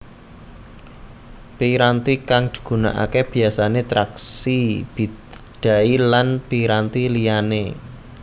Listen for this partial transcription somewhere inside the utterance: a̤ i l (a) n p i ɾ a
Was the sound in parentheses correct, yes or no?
yes